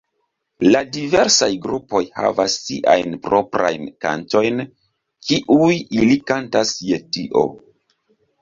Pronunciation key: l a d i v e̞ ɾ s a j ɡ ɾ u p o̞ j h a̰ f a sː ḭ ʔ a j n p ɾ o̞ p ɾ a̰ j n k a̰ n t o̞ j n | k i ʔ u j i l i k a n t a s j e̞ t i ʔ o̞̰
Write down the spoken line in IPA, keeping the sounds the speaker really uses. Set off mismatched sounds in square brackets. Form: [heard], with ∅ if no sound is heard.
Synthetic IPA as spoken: l a d i v e̞ ɾ s a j ɡ ɾ u p o̞ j h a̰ [v] a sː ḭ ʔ a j n p ɾ o̞ p ɾ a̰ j n k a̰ n t o̞ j n | k i ʔ u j i l i k a n t a s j e̞ t i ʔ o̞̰

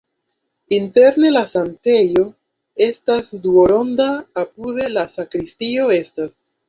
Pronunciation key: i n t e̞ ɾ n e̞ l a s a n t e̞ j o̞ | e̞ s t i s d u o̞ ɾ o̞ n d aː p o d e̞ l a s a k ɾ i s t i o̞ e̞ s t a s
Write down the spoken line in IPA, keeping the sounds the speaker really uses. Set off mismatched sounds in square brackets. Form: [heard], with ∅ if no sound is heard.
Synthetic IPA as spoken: i n t e̞ ɾ n e̞ l a s a n t e̞ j o̞ | e̞ s t [a] s d u o̞ ɾ o̞ n d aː p [u] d e̞ l a s a k ɾ i s t i o̞ e̞ s t a s

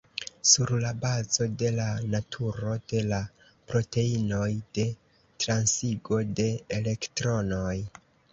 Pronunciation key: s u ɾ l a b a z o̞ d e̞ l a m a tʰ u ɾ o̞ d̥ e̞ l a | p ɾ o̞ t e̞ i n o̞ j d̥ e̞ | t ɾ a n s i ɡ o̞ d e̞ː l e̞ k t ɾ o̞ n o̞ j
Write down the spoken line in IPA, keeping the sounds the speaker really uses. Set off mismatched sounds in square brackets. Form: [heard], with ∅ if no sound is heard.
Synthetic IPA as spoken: s u ɾ l a b a z o̞ d e̞ l a [n] a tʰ u ɾ o̞ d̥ e̞ l a | p ɾ o̞ t e̞ i n o̞ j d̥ e̞ | t ɾ a n s i ɡ o̞ d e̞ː l e̞ k t ɾ o̞ n o̞ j

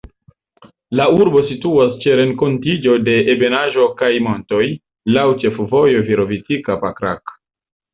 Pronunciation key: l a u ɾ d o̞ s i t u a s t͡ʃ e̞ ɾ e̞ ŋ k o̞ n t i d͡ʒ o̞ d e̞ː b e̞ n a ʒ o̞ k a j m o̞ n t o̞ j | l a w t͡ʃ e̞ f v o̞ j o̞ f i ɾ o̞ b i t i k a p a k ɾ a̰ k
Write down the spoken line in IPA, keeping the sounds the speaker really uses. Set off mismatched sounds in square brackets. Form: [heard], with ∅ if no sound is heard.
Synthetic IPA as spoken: l a u ɾ [b] o̞ s i t u a s t͡ʃ e̞ ɾ e̞ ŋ k o̞ n t i d͡ʒ o̞ d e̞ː b e̞ n a ʒ o̞ k a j m o̞ n t o̞ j | l a w t͡ʃ e̞ f v o̞ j o̞ [v] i ɾ o̞ [v] i t i k a p a k ɾ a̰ k

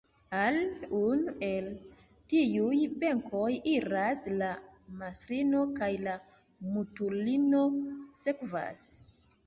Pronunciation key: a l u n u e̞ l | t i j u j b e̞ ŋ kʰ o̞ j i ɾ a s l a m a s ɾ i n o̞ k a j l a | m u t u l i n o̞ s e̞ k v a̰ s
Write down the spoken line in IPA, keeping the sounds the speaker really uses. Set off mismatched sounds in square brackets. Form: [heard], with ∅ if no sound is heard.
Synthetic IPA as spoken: a l u n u e̞ l | t i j u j b e̞ ŋ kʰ o̞ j i ɾ a s l a m a s ɾ i n o̞ k a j l a | m u t u l i n o̞ s e̞ k v a̰ s

